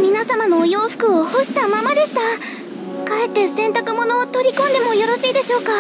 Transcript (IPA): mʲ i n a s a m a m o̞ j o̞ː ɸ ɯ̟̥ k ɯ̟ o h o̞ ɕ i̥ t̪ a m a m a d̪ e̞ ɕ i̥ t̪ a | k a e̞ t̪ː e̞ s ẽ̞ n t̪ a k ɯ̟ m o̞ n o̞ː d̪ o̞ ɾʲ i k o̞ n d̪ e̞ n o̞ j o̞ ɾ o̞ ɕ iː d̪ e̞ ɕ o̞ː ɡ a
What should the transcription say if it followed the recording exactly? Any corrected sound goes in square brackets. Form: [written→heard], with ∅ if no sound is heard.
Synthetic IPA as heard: mʲ i n a s a m a [m→n] o̞ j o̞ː ɸ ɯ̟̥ k ɯ̟ o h o̞ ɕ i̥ t̪ a m a m a d̪ e̞ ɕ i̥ t̪ a | k a e̞ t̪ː e̞ s ẽ̞ n t̪ a k ɯ̟ m o̞ n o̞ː [d̪→t̪] o̞ ɾʲ i k [o̞→õ̞] n d̪ e̞ [n→m] o̞ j o̞ ɾ o̞ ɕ iː d̪ e̞ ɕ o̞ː [ɡ→k] a